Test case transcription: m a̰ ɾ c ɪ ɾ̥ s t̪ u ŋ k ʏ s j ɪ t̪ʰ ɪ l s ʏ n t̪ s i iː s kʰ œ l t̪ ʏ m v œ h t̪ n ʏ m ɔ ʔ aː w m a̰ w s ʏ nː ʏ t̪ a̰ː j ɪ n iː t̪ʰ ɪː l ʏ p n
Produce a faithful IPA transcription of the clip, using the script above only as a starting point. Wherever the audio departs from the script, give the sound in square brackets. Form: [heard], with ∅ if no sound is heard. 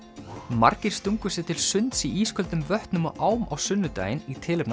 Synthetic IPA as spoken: m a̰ ɾ c ɪ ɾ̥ s t̪ u ŋ k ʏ s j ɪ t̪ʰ ɪ l s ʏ n t̪ s i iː s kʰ œ l t̪ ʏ m v œ h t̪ n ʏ m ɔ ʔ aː w m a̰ w s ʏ nː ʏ t̪ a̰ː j ɪ n [i] t̪ʰ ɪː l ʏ p n